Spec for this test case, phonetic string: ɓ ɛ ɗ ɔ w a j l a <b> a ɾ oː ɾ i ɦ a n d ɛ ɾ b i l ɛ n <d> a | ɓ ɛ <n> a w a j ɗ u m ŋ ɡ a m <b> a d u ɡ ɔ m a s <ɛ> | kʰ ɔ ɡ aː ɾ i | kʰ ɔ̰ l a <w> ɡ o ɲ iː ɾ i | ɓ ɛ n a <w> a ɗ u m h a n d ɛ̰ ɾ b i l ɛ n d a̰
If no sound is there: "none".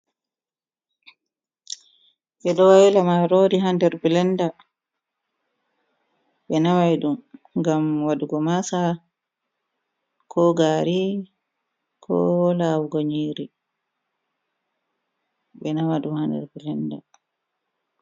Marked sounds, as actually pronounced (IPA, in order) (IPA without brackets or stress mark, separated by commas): m, d, n, w, a, w, w